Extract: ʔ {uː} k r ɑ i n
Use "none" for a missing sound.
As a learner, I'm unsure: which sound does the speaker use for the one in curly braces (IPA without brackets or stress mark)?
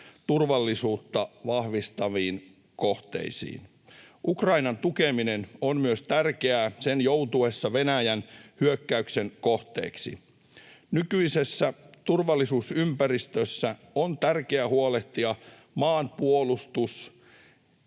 u